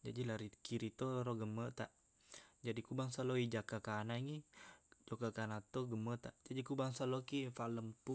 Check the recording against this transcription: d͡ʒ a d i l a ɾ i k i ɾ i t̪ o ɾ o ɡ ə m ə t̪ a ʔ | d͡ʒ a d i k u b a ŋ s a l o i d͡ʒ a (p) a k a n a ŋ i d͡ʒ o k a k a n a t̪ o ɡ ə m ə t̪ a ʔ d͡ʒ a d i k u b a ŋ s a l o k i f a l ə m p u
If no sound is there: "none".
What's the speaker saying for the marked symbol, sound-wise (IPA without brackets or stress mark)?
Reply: k